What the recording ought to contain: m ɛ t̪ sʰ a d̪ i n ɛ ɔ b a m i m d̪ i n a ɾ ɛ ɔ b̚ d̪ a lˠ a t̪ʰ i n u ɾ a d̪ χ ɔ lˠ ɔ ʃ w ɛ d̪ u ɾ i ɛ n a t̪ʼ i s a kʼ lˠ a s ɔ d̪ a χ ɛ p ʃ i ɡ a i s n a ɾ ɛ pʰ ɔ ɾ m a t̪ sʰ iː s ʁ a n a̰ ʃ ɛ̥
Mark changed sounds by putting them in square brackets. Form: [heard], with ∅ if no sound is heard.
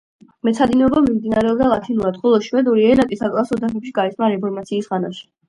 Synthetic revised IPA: m ɛ t̪ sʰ a d̪ i n ɛ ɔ b a m i m d̪ i n a ɾ ɛ ɔ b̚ d̪ a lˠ a t̪ʰ i n u ɾ a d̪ χ ɔ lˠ ɔ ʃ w ɛ d̪ u ɾ i ɛ n a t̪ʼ i s a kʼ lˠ a s ɔ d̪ a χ ɛ p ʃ i ɡ a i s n a ɾ ɛ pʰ ɔ ɾ m a t̪ sʰ iː s ʁ a n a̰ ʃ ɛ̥